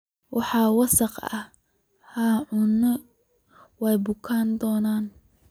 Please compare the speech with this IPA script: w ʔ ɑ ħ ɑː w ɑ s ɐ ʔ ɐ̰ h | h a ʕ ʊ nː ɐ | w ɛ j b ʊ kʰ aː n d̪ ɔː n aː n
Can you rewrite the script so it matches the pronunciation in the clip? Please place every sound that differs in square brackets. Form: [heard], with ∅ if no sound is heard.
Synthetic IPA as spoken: w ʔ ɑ ħ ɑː w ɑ s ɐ [q] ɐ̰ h | h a ʕ ʊ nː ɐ | w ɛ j b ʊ kʰ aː n d̪ ɔː n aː n